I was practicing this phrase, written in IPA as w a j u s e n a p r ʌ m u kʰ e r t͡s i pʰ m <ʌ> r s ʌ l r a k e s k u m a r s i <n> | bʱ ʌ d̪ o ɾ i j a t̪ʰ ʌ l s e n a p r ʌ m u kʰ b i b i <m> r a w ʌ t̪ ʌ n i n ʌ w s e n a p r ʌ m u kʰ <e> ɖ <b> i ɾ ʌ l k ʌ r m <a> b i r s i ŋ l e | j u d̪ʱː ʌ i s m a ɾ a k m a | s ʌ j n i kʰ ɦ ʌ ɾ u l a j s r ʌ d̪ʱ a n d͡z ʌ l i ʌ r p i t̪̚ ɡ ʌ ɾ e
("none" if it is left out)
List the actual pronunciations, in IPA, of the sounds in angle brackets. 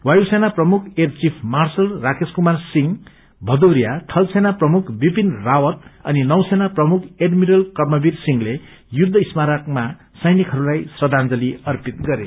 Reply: a, ŋ, n, e, m, ʌ

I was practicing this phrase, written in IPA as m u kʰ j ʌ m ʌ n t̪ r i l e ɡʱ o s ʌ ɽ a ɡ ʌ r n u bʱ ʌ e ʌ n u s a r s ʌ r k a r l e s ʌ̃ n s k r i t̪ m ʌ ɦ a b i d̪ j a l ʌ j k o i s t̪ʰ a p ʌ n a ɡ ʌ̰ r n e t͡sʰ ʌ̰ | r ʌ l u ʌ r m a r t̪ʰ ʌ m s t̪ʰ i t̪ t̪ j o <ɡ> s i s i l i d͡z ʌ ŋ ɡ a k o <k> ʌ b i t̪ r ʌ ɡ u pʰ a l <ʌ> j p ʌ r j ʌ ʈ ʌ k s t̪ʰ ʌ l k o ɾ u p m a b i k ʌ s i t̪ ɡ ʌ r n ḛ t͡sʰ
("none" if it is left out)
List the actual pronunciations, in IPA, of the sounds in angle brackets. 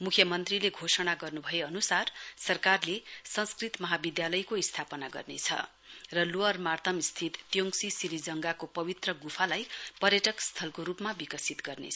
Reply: ŋ, p, a

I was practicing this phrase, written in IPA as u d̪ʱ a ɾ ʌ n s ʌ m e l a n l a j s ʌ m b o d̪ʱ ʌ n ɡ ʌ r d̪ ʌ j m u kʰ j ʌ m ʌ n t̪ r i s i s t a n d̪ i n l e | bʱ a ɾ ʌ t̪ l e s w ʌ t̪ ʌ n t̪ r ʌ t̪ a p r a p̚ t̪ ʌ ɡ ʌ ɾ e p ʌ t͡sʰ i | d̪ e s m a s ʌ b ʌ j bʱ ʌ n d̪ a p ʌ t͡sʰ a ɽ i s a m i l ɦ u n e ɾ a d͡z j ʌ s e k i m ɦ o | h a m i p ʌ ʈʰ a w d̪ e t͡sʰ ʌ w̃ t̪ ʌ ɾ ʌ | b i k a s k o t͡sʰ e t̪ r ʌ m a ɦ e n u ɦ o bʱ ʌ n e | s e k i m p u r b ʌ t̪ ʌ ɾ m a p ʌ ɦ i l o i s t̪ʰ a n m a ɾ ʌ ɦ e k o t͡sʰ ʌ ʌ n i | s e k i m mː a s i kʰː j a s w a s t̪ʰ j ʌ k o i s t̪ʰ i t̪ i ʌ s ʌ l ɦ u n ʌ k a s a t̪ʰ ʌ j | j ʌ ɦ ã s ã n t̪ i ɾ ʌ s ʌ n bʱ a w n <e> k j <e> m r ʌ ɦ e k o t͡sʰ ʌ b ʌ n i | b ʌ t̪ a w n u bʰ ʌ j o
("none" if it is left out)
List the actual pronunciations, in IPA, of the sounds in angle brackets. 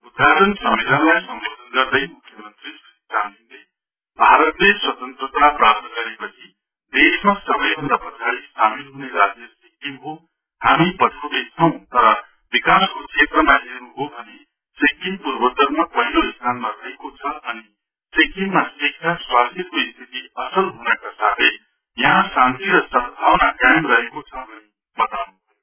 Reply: a, a

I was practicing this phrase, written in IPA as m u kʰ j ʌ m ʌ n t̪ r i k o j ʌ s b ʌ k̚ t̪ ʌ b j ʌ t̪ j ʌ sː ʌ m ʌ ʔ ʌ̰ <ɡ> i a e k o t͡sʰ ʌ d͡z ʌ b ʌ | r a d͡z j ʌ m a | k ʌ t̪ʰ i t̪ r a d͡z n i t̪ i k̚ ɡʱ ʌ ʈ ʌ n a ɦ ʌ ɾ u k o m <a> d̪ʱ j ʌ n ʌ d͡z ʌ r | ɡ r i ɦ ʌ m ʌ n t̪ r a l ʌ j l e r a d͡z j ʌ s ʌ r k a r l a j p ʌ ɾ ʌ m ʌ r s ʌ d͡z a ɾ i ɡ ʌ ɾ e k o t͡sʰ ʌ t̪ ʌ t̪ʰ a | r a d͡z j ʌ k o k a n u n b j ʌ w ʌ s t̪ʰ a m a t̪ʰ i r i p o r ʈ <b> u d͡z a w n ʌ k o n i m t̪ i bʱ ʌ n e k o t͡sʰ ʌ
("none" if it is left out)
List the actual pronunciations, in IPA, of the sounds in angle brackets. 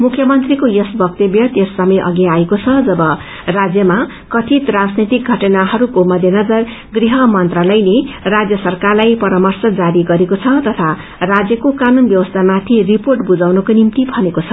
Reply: ɡ, ʌ, b

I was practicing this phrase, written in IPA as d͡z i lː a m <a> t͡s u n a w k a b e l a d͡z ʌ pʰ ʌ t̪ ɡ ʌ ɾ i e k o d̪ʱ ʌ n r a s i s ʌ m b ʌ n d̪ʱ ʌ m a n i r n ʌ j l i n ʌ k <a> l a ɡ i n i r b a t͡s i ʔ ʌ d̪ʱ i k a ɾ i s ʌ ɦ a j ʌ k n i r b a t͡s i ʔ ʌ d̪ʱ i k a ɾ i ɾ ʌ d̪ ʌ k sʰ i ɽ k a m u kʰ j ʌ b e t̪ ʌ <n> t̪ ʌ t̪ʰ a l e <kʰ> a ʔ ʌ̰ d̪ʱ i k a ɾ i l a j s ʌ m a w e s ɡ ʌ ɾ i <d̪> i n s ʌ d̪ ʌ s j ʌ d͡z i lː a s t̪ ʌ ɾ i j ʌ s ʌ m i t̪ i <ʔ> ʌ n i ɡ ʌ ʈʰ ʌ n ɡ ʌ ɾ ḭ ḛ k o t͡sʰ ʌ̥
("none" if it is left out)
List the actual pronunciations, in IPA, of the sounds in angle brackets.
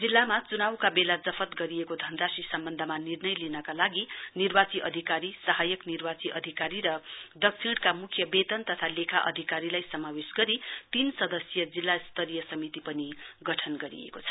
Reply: a, a, n, kʰ, t̪, p

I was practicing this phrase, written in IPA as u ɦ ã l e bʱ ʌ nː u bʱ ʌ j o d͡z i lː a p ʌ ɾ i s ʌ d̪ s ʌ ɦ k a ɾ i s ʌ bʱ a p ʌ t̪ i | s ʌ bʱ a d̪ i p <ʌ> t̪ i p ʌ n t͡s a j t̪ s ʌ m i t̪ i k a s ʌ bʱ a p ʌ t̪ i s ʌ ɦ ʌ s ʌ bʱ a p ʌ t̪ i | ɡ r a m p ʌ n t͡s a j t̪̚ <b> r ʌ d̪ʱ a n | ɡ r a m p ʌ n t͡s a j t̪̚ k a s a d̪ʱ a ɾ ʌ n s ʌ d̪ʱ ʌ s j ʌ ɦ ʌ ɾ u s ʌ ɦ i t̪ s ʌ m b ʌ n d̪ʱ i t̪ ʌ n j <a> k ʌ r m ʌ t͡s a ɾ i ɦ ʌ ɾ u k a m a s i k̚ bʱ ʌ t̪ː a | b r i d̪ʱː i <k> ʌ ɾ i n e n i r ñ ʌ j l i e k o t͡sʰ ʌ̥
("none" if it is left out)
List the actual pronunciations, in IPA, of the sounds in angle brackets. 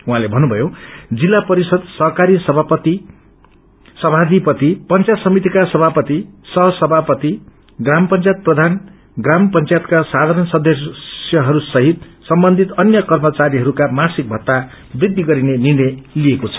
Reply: ʌ, p, ʌ, ɡ

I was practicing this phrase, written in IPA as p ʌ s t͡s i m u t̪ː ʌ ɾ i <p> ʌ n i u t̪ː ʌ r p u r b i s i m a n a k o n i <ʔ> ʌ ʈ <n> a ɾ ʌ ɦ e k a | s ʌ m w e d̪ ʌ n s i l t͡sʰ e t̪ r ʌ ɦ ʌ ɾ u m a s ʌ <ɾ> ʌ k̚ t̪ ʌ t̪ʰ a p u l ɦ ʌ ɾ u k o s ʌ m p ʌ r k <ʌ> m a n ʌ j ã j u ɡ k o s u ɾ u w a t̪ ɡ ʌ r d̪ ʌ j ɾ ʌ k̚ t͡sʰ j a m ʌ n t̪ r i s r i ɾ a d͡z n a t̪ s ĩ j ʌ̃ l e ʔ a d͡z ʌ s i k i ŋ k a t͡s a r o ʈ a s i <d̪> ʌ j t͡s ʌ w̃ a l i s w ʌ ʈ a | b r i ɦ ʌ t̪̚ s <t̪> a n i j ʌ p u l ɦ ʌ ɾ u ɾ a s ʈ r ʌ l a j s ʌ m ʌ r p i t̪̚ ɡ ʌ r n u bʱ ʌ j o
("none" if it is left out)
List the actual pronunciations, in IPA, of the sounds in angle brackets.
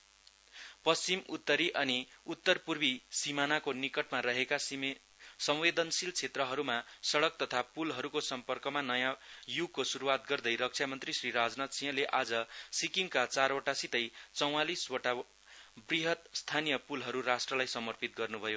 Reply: ʔ, k, m, ɽ, ʌ, t̪, t̪ʰ

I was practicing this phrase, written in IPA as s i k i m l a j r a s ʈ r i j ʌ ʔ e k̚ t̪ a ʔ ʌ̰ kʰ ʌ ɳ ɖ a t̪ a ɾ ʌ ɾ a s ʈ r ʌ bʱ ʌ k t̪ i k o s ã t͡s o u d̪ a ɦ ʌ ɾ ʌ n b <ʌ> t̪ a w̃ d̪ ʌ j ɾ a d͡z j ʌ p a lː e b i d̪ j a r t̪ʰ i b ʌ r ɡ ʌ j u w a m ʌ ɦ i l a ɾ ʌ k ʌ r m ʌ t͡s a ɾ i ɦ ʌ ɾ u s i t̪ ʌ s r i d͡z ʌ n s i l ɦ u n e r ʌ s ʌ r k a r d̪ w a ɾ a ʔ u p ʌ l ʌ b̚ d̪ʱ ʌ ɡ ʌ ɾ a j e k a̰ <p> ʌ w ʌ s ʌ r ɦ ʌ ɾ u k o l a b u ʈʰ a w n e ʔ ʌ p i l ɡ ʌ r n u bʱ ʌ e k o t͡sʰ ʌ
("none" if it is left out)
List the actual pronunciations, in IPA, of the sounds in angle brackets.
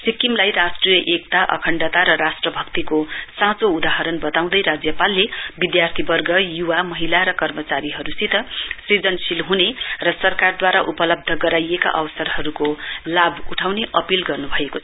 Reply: ʌ, ʔ

